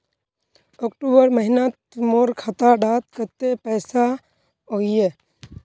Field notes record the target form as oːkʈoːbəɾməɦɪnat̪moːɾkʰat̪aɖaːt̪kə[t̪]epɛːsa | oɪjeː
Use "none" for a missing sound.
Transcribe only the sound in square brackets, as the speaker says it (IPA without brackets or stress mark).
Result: t̪